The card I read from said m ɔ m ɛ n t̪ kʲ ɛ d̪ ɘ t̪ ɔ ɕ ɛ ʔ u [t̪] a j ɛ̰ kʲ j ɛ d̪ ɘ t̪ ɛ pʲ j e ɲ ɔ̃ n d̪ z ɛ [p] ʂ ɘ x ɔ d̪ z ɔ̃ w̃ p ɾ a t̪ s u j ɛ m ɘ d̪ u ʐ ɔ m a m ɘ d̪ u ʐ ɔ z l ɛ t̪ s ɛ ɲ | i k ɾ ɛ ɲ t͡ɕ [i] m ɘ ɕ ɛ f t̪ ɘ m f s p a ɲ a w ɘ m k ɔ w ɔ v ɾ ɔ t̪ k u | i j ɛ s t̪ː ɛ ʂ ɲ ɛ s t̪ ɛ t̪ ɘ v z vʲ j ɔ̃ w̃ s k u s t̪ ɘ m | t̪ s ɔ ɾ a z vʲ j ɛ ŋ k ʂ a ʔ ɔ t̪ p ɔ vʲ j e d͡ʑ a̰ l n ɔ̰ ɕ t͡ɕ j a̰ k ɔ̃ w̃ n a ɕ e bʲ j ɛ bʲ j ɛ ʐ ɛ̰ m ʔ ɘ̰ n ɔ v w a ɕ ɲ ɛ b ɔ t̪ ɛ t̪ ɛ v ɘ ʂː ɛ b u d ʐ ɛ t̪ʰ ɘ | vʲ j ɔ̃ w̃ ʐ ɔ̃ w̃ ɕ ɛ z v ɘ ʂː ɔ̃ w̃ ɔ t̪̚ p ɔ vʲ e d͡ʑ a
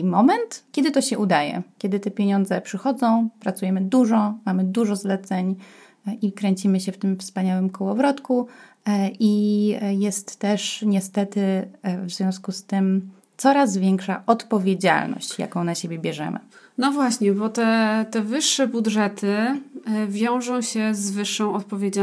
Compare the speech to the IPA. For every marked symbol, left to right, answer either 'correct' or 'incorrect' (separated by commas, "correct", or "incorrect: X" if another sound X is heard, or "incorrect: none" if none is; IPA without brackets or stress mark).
incorrect: d̪, correct, correct